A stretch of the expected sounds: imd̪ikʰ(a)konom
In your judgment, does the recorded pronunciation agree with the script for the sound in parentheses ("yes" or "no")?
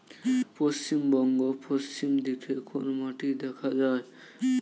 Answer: no